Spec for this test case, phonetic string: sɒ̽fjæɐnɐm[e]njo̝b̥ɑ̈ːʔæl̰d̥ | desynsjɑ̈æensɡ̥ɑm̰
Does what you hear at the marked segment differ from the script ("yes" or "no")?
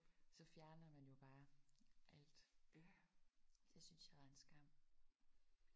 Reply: yes